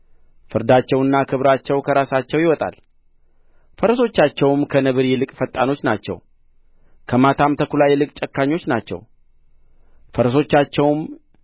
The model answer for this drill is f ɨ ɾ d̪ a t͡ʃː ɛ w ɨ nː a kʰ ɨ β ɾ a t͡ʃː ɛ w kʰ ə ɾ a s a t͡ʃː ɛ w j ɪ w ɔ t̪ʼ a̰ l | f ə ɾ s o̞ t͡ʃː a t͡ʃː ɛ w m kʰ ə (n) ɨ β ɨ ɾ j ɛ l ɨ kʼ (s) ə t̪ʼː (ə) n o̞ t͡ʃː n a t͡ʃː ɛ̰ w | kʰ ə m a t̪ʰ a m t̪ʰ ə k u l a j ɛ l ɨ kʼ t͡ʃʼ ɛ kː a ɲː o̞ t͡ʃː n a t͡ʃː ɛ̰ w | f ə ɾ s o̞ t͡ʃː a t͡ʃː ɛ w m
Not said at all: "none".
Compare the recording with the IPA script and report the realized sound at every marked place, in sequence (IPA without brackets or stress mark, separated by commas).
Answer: n, f, a